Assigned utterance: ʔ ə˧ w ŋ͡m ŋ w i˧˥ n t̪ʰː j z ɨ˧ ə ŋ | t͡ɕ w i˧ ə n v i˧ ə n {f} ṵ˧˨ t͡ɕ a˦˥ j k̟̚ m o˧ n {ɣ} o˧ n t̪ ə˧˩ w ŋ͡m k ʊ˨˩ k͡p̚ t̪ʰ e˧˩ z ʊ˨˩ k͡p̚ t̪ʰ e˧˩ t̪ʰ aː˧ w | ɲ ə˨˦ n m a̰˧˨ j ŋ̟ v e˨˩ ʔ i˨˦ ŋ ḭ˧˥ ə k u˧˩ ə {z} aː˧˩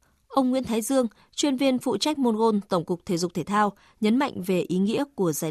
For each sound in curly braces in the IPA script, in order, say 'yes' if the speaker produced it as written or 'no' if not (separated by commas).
yes, yes, yes